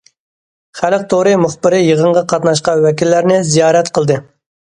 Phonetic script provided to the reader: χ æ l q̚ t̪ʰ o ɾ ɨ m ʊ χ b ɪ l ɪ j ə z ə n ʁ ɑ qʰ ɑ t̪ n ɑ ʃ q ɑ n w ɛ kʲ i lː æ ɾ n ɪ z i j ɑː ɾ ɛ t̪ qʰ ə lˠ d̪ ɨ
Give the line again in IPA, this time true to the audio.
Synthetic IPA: χ æ l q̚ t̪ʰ o ɾ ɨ m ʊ χ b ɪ ɾ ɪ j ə ʁ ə ɴ ʁ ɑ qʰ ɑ t̪ n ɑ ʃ q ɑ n w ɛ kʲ i lː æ ɾ n ɪ z i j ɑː ɾ ɛ t̪ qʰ ə lˠ d̪ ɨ